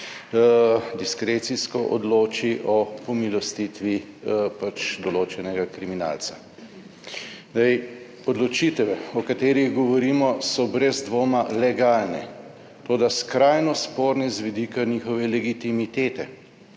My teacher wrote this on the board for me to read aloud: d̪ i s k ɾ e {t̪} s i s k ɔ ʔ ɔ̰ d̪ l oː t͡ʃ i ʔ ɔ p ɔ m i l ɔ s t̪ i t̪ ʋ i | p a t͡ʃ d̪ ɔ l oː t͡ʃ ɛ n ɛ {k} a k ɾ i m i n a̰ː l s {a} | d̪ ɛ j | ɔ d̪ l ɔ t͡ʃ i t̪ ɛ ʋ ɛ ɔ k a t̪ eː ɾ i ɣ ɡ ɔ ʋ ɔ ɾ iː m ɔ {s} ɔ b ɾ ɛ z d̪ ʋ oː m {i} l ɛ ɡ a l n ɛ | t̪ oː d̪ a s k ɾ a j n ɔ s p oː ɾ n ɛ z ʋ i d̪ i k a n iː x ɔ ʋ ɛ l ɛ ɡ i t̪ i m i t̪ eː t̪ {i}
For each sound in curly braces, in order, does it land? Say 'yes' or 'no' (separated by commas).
yes, no, yes, yes, no, no